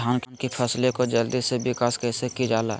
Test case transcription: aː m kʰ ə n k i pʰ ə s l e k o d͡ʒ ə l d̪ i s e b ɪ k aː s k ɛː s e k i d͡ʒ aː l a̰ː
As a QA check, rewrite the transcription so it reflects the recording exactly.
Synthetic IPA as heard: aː n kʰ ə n k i pʰ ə s l e k o d͡ʒ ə l d̪ i s e b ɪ k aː s k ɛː s e k i d͡ʒ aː l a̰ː